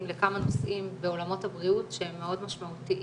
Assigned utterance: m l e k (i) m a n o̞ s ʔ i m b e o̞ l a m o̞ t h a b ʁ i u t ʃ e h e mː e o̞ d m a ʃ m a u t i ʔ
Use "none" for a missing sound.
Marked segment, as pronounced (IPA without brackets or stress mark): a